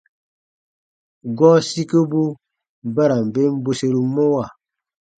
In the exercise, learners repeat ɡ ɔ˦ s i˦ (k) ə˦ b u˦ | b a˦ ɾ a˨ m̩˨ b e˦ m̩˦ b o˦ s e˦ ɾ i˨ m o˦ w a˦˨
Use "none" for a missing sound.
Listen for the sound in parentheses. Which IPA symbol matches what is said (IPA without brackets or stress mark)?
k